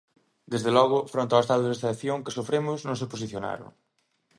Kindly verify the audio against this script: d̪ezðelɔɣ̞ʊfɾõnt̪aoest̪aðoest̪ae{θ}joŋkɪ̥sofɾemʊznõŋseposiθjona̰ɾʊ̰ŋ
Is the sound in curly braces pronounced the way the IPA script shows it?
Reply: yes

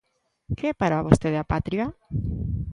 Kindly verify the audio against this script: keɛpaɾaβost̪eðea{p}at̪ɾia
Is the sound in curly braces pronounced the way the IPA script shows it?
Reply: yes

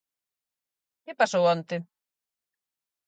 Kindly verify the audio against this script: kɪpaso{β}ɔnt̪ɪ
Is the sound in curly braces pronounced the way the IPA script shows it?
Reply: no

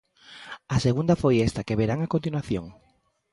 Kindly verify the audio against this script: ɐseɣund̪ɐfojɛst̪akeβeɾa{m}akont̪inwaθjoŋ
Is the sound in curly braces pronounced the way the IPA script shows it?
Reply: no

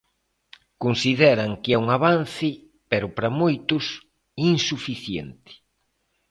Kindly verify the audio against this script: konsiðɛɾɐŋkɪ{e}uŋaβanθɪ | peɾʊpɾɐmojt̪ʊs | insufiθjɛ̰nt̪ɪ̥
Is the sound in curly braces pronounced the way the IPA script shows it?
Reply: no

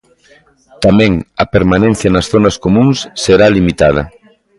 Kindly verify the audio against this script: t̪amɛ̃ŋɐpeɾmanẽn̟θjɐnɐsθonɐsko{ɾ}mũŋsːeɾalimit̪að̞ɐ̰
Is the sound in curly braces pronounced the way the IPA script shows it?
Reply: no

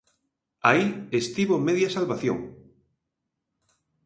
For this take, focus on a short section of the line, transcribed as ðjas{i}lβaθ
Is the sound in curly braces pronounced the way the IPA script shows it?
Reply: no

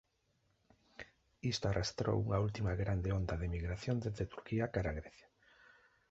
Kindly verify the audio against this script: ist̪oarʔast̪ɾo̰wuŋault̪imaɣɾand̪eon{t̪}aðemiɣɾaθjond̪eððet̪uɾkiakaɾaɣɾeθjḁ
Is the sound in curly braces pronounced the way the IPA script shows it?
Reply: no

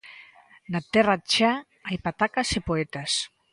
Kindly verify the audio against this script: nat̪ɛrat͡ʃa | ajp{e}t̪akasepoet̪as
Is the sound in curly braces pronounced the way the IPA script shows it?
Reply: no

